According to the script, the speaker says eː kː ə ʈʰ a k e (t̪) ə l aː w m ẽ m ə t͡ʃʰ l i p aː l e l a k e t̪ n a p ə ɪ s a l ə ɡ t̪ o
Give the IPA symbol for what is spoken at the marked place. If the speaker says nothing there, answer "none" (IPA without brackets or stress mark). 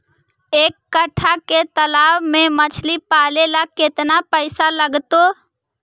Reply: t̪